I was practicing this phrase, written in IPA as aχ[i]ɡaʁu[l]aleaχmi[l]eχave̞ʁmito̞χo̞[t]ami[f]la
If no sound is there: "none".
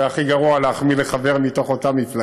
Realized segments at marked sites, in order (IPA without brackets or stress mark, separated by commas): i, none, l, t, f